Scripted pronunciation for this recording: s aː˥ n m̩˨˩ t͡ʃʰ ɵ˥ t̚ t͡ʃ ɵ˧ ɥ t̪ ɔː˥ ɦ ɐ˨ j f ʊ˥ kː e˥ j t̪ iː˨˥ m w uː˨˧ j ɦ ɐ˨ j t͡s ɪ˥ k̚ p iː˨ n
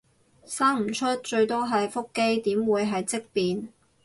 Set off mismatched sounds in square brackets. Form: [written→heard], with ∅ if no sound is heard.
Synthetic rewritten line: s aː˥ [n→ŋ] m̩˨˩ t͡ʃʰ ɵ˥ t̚ t͡ʃ ɵ˧ ɥ t̪ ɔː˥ ɦ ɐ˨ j f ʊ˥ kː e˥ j t̪ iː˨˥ m w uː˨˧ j ɦ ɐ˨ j t͡s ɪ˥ k̚ p iː˨ n